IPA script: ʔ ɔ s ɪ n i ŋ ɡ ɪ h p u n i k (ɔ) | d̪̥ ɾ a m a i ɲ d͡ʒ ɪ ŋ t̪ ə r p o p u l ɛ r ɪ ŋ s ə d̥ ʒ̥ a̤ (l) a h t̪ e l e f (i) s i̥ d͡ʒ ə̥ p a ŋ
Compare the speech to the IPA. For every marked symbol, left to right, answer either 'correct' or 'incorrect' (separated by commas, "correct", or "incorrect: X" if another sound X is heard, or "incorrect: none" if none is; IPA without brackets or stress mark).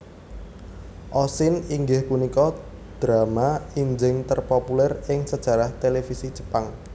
correct, incorrect: ɾ, correct